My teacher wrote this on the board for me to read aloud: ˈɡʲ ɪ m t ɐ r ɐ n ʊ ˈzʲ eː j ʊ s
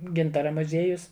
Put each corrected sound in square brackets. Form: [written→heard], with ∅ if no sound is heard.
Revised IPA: ˈɡʲ ɪ [m→n] t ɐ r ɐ [n→m] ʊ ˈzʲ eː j ʊ s